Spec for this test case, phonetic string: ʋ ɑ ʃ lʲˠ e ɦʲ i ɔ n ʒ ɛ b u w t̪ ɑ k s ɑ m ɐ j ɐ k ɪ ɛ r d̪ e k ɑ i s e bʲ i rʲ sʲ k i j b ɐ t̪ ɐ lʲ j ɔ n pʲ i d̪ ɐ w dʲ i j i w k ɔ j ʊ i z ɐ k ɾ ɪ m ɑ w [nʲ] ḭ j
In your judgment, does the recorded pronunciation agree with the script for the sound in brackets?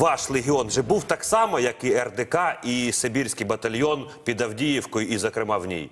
yes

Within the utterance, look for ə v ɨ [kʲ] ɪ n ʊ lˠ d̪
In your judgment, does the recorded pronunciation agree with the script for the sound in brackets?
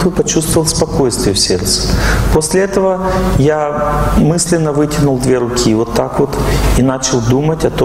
no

